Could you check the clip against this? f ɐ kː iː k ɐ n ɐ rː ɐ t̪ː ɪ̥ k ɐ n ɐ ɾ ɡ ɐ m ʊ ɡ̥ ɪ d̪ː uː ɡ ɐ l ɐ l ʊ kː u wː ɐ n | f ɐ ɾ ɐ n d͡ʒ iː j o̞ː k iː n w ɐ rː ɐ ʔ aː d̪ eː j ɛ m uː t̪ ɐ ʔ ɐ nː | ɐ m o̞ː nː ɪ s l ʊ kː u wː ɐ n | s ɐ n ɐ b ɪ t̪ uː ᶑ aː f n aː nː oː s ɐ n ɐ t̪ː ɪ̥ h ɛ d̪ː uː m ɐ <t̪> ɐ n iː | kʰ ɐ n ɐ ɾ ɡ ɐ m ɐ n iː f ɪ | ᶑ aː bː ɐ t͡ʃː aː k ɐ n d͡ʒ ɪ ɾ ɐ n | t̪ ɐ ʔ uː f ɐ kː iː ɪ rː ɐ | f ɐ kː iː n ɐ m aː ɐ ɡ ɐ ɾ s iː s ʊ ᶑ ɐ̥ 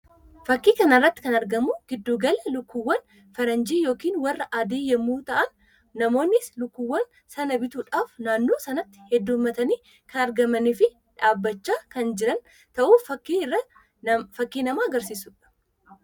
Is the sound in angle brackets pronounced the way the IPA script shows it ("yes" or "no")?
yes